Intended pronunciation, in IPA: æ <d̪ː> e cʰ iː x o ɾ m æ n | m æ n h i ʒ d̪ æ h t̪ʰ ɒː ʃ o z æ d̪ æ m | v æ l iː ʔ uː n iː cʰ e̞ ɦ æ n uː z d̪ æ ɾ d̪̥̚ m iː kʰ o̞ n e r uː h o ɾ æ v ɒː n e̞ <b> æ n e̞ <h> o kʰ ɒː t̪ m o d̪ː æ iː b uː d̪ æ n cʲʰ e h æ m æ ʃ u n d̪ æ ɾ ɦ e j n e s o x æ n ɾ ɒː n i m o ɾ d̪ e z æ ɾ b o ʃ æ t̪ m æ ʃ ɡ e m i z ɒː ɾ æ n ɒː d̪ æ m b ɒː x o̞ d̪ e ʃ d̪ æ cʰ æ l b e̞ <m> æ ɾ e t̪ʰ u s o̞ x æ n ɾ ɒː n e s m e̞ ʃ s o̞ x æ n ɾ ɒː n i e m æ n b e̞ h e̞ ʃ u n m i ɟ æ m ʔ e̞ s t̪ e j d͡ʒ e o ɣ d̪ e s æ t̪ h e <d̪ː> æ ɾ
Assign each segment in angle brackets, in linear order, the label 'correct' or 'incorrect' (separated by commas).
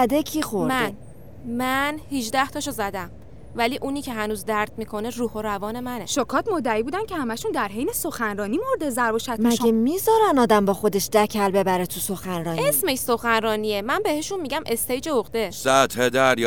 incorrect, incorrect, incorrect, incorrect, incorrect